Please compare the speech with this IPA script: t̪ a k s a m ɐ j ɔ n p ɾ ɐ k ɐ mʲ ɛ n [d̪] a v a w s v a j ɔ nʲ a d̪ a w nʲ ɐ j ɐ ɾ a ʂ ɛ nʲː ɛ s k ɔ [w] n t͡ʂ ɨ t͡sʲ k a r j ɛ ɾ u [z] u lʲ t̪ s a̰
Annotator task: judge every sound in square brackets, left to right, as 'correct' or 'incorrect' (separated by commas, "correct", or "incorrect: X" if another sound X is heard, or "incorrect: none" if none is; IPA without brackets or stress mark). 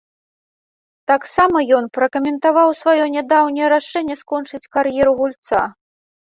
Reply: incorrect: t̪, incorrect: none, incorrect: ɣ